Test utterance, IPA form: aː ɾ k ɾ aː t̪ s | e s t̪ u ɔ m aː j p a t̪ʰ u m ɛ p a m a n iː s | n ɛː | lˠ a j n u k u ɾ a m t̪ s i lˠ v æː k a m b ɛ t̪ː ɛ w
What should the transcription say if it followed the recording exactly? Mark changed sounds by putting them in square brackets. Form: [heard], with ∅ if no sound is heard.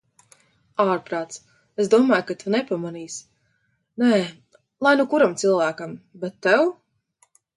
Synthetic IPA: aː ɾ [p] ɾ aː t̪ s | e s [d̪] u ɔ m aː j [k] a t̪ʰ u [n] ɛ p a m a n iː s | n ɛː | lˠ a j n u k u ɾ a m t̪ s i lˠ v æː k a m b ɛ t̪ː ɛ w